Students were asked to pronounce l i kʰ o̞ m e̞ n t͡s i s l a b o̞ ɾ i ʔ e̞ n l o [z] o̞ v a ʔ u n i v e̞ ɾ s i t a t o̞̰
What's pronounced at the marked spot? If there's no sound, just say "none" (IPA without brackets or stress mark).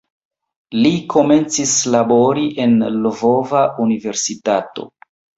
v